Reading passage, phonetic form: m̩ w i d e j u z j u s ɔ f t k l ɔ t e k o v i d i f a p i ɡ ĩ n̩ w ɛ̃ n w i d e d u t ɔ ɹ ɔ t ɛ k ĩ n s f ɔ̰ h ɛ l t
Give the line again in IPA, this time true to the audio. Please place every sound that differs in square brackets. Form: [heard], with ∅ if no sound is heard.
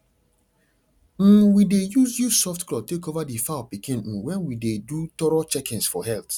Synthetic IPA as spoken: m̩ w i d e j u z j u s ɔ f t k l ɔ t e k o v [a] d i f a p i [k] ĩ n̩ w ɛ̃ n w i d e d u t ɔ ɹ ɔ [t͡ʃ] ɛ k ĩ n s f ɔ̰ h ɛ l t

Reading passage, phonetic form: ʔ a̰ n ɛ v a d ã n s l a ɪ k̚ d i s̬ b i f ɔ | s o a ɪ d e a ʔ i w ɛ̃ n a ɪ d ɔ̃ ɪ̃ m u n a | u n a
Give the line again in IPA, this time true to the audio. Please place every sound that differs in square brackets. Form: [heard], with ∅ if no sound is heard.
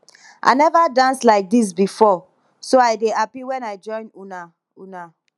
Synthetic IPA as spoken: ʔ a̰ n ɛ v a d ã n s l a ɪ k̚ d i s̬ b i f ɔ | s o a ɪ d e a [p] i w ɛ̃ n a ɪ [d͡ʒ] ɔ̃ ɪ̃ [n] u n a | u n a

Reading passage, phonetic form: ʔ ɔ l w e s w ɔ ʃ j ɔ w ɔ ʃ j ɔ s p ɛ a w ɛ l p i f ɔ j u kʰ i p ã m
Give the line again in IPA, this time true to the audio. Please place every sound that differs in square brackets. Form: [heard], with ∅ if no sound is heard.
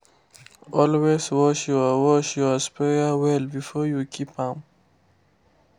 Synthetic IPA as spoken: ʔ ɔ l w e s w ɔ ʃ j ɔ w ɔ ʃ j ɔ s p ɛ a w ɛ l [b] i f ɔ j u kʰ i p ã m

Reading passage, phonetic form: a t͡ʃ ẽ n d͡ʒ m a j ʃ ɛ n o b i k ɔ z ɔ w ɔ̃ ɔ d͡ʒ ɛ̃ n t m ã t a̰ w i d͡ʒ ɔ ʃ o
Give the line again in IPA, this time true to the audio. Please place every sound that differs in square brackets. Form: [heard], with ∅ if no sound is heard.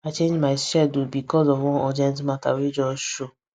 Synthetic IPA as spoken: a t͡ʃ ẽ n d͡ʒ m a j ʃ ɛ [d] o b i k ɔ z ɔ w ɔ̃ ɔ d͡ʒ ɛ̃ n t m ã t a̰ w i d͡ʒ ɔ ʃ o

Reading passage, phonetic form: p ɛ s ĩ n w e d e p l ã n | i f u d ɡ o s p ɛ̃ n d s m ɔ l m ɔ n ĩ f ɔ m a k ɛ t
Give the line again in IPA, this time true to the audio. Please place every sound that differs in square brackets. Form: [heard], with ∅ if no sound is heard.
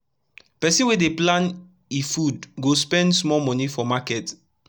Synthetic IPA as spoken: p ɛ s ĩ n w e d e p l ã n | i f u d ɡ o s p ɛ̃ n d s m ɔ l m ɔ n [i] f ɔ m a k ɛ t

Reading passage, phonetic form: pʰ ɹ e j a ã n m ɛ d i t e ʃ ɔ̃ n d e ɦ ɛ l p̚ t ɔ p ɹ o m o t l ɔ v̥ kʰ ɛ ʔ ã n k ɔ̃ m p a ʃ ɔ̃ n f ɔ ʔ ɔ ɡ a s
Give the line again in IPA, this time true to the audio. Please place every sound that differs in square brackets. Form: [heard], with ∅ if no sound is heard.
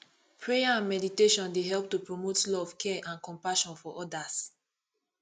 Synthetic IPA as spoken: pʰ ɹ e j a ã n m ɛ d i t e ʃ ɔ̃ n d e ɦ ɛ l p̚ t [u] p ɹ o m o t l ɔ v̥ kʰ ɛ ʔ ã n k ɔ̃ m p a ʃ ɔ̃ n f ɔ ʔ ɔ [d] a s

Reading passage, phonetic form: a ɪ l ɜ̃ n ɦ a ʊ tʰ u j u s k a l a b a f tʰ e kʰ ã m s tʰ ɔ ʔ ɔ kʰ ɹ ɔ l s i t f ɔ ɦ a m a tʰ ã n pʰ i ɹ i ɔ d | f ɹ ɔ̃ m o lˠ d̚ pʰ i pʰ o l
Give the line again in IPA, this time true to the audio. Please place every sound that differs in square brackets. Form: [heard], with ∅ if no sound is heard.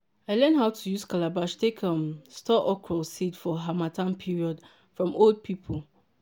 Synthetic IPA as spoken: a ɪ l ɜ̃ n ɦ a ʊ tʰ u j u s k a l a b a [ʃ] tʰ e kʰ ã m s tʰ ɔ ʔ ɔ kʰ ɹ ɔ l s i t f ɔ ɦ a m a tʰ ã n pʰ i ɹ i ɔ d | f ɹ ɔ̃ m o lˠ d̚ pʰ i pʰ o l

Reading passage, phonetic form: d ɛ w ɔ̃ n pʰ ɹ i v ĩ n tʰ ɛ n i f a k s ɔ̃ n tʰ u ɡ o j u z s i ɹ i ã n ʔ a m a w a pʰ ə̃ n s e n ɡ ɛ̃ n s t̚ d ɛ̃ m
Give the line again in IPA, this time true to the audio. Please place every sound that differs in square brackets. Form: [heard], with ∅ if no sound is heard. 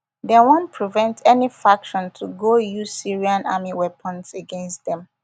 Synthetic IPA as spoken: d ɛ w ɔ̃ n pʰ ɹ i v [ɛ̃] n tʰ ɛ n i f a k [ʃ] ɔ̃ n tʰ u ɡ o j u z s i ɹ i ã n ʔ a m [i] w [ɛ] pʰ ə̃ n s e [∅] ɡ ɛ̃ n s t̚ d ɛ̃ m

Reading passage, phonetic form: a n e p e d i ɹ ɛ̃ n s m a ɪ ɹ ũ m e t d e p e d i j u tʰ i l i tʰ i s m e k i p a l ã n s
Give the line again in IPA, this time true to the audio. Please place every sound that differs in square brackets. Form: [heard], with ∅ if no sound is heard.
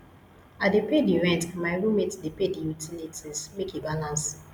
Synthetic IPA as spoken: a [d] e p e d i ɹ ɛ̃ n [t] m a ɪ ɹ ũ m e t d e p e d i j u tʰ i l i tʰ i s m e k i [b] a l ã n s

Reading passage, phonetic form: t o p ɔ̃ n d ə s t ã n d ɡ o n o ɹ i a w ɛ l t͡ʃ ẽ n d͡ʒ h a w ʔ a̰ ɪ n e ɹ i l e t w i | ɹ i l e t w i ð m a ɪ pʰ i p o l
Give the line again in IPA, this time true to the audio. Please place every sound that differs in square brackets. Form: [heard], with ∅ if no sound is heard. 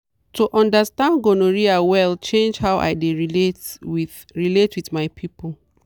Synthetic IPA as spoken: t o [ʔ] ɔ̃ n d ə s t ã n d ɡ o n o ɹ i a w ɛ l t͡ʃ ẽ n d͡ʒ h a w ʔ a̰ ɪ [d] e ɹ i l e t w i | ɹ i l e t w i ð m a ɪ pʰ i p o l

